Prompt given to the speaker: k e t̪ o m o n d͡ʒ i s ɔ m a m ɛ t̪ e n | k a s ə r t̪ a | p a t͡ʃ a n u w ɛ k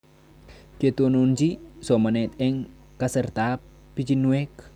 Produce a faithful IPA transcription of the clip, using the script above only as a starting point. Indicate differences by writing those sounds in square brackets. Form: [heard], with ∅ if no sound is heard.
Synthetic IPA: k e t̪ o [n] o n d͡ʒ i s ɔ m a [n] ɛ t̪ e [ŋ] | k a s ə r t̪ a | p [i] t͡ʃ [i] n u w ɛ k